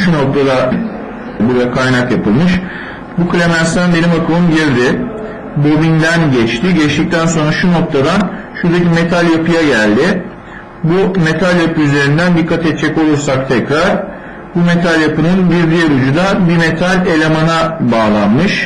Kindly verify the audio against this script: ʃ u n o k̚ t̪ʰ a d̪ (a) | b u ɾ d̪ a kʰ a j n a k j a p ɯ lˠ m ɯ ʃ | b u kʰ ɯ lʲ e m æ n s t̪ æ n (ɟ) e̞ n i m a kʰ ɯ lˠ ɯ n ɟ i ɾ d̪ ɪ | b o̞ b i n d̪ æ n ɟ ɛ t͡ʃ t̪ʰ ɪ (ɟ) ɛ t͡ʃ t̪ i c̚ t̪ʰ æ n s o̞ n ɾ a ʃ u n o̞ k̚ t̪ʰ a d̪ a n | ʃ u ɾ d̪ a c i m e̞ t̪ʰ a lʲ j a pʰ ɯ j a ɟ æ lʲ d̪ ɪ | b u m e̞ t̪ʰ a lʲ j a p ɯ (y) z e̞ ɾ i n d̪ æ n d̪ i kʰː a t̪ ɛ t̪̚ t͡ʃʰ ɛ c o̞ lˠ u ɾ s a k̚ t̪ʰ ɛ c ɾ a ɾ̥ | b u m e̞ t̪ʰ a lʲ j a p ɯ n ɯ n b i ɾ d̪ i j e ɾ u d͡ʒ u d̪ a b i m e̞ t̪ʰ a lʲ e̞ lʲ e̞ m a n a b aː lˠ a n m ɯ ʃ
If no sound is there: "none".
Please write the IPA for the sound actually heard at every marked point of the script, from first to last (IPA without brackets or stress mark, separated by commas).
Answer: a, b, ɟ, y